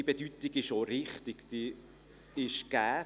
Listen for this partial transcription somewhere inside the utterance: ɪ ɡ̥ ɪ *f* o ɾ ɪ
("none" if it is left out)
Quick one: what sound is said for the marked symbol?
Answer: ʃ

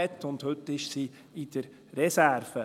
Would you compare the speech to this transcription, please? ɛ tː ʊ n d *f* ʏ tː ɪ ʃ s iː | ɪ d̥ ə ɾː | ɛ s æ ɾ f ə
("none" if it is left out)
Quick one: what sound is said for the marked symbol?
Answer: h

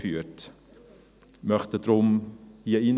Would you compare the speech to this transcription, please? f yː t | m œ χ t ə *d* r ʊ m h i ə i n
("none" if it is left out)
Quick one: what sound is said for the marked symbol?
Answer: d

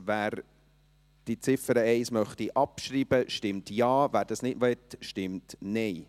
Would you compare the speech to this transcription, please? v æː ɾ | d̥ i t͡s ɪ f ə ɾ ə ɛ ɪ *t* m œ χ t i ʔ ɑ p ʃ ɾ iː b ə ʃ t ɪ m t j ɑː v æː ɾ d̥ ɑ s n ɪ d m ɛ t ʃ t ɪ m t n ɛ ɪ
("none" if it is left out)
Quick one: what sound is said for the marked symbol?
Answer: s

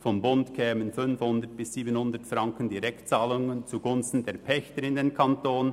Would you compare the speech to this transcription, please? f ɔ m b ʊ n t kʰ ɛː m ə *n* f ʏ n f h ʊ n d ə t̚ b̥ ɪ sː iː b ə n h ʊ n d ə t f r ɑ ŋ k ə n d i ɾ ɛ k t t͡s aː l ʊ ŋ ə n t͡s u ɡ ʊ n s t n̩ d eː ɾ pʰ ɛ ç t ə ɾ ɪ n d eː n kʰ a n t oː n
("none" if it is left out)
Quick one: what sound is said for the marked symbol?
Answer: n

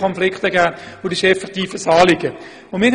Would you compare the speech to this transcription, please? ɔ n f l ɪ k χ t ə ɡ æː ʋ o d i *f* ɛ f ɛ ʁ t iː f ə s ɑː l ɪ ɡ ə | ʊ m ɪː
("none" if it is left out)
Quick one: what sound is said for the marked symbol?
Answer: ʃ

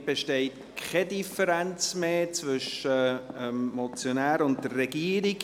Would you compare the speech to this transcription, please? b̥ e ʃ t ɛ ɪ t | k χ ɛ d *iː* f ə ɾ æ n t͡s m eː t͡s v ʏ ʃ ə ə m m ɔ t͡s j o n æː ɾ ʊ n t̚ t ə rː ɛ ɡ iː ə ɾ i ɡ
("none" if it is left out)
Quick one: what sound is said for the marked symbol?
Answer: i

